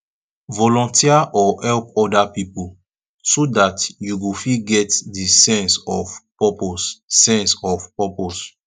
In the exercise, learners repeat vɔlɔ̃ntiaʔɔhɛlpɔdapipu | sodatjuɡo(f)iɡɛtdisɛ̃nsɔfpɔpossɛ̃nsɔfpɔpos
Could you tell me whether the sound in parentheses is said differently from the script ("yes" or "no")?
no